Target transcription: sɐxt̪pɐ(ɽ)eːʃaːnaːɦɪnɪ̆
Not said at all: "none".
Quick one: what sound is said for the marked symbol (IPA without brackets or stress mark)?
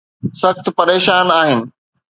ɾ